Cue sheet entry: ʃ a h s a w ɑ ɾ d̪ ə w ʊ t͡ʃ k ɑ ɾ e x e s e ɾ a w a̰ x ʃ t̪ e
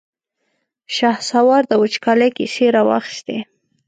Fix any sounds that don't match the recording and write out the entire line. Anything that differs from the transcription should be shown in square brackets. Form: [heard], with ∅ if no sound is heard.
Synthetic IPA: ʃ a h s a w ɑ ɾ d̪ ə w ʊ t͡ʃ k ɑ [l] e [k] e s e ɾ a w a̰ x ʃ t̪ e